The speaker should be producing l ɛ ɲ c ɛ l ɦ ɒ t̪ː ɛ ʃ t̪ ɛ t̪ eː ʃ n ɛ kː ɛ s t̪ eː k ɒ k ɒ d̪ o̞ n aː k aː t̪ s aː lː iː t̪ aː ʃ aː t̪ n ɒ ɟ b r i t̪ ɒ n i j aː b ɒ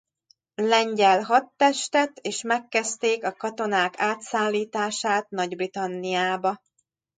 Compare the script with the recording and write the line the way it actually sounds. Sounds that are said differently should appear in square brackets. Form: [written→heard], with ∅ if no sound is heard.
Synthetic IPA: l ɛ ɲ [c→ɟ] ɛ l ɦ ɒ t̪ː ɛ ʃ t̪ ɛ t̪ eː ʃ [n→m] ɛ kː ɛ s t̪ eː k ɒ k ɒ [d̪→t̪] o̞ n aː k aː t̪ s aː lː iː t̪ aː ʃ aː t̪ n ɒ ɟ b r i t̪ ɒ [n→nː] i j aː b ɒ